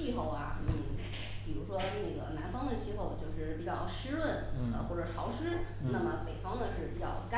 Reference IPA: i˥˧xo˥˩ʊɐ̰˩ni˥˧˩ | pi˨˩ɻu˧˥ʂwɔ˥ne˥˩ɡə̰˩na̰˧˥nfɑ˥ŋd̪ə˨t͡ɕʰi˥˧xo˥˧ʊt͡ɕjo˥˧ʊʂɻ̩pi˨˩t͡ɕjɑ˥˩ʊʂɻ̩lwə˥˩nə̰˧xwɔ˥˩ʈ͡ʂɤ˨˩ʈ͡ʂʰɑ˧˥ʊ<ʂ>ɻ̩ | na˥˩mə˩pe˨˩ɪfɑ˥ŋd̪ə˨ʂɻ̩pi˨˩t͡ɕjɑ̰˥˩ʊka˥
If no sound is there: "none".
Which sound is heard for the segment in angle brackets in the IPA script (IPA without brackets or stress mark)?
ʂ